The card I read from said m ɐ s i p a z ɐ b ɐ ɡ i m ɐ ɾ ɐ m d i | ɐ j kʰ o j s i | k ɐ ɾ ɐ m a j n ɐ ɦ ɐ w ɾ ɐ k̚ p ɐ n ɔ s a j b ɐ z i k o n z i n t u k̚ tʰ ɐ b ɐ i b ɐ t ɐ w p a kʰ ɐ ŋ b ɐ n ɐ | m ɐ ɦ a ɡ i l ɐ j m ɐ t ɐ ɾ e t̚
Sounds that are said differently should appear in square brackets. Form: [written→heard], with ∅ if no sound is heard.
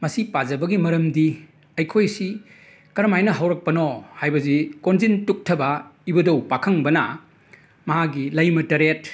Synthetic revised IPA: m ɐ s i p a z ɐ b ɐ ɡ i m ɐ ɾ ɐ m d i | ɐ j kʰ o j s i | k ɐ ɾ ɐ m a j n ɐ ɦ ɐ w ɾ ɐ k̚ p ɐ n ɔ [s→h] a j b ɐ z i k o n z i n t u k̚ tʰ ɐ b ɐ i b ɐ [t→d] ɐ w p a kʰ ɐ ŋ b ɐ n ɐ | m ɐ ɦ a ɡ i l ɐ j m ɐ t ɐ ɾ e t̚